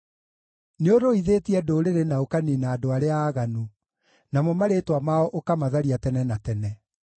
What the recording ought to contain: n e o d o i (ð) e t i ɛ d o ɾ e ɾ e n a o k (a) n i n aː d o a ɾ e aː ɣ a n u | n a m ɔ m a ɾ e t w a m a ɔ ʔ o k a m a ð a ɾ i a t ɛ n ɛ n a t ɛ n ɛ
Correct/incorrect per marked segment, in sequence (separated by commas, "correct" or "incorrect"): correct, correct